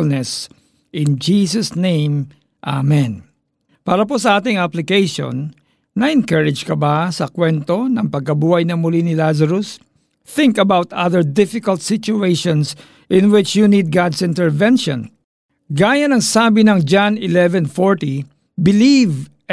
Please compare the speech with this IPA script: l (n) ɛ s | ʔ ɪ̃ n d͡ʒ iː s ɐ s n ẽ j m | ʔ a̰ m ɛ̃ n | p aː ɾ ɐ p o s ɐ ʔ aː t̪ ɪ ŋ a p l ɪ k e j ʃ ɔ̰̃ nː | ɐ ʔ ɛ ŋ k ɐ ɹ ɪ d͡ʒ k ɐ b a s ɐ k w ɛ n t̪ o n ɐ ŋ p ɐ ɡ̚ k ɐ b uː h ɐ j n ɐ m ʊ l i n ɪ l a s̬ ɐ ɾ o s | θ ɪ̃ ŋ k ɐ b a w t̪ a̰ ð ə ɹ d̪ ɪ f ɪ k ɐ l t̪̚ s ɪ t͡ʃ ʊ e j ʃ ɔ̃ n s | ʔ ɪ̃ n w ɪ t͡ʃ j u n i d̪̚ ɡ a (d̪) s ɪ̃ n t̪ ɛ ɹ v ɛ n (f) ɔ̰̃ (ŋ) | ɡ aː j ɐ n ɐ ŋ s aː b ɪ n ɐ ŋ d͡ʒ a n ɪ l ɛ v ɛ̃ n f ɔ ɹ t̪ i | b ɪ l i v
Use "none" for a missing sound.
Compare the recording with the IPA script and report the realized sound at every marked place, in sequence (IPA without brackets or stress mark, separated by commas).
n, d̪, ʃ, n